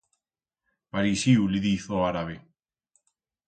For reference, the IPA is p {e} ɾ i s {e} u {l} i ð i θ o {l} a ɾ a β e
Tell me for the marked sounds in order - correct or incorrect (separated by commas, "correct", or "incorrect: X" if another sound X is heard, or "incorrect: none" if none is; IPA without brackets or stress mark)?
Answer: incorrect: a, incorrect: i, correct, incorrect: none